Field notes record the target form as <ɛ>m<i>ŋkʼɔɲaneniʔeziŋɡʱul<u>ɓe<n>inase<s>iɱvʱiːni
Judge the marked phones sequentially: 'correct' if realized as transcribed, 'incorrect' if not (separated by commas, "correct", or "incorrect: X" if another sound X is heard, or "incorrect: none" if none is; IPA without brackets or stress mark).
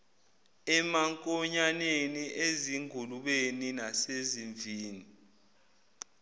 correct, incorrect: a, correct, correct, incorrect: z